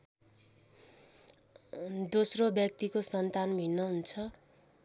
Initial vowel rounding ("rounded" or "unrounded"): rounded